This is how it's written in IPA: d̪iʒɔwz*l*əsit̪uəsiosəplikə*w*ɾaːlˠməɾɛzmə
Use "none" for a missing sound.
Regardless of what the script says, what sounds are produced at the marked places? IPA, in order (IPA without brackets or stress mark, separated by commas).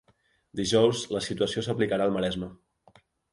l, none